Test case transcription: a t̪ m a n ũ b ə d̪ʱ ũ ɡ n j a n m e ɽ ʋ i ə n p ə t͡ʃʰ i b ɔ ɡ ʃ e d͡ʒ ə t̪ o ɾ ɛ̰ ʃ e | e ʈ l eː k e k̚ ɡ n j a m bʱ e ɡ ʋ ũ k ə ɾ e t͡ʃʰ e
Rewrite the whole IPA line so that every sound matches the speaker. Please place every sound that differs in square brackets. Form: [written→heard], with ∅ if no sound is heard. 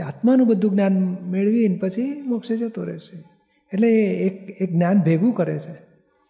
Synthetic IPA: a t̪ m a n ũ b ə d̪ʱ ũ ɡ n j a n m e [ɽ→ɭ] ʋ i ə n p ə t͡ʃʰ i [b→m] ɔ [ɡ→k] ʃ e d͡ʒ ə t̪ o ɾ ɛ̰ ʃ e | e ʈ l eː k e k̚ ɡ n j a [m→n] bʱ e ɡ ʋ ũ k ə ɾ e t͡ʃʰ e